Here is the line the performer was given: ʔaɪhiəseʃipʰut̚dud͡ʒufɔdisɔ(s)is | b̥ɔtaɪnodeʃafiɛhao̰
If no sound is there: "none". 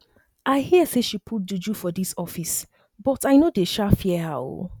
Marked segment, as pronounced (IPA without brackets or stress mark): f